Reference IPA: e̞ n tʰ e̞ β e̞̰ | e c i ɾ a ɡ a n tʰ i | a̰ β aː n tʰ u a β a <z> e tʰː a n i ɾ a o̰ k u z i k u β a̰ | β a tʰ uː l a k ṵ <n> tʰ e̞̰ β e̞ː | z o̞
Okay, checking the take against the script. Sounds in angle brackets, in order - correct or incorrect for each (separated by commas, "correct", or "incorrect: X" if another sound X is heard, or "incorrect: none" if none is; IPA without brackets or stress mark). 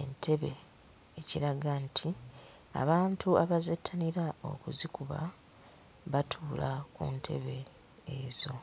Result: correct, correct